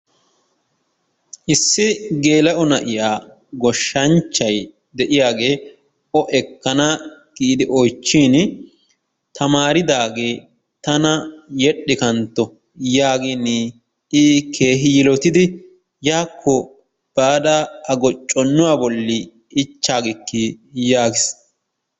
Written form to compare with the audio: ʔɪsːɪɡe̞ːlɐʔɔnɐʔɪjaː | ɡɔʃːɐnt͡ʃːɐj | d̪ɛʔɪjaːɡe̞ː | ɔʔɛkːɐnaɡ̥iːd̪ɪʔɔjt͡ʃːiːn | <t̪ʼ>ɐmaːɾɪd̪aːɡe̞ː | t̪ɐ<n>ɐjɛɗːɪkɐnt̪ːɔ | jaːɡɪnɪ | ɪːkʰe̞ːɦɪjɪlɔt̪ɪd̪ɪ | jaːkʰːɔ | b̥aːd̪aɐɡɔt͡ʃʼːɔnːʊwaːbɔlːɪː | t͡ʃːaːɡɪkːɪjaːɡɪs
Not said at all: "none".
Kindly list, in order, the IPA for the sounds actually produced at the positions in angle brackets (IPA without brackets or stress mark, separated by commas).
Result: t̪, n